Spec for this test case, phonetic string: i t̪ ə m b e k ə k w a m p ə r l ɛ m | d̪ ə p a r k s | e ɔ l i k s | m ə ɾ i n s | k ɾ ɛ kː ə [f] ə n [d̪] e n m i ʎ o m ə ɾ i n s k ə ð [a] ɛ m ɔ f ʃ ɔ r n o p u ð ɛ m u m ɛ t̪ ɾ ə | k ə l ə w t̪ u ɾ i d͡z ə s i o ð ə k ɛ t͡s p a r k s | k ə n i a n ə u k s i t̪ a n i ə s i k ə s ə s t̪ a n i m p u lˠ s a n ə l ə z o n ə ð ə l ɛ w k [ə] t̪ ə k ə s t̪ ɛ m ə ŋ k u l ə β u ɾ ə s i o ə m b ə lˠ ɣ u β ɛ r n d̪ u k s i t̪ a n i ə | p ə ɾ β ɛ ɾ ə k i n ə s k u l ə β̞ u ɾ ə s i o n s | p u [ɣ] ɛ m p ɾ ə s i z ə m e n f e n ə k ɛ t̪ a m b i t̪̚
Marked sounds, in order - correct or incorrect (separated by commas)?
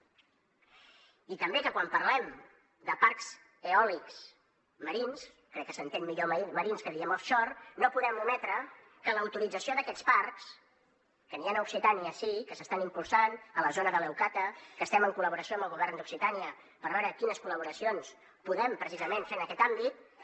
incorrect, incorrect, incorrect, incorrect, incorrect